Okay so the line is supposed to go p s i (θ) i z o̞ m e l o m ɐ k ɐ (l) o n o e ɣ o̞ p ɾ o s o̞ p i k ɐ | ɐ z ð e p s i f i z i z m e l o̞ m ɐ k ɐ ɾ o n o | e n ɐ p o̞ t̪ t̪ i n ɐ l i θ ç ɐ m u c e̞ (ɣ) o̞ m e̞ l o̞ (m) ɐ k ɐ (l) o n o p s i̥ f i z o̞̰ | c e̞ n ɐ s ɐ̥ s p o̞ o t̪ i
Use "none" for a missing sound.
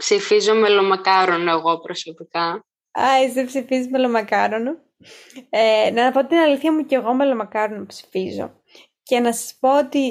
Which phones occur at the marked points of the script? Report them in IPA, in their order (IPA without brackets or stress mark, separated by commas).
f, ɾ, ɣ, m, ɾ